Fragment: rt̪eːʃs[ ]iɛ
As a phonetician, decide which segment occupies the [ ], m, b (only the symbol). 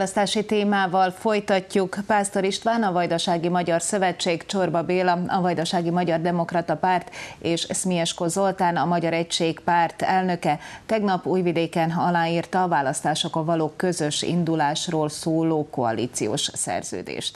m